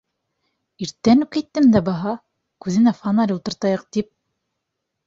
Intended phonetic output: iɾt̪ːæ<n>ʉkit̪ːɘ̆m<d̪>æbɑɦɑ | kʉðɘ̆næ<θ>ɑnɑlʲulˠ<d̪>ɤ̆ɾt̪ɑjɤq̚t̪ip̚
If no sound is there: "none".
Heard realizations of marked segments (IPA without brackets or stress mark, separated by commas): n, d̪, f, t̪